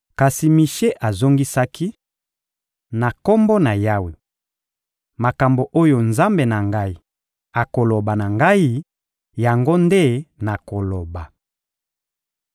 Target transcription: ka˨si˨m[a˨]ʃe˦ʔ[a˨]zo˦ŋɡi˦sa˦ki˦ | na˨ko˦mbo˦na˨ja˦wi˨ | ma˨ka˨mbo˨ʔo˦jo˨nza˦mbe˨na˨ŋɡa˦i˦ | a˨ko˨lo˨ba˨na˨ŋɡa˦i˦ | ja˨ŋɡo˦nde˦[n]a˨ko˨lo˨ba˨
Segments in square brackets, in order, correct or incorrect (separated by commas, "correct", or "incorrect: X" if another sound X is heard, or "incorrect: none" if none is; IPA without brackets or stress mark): incorrect: i˨, correct, correct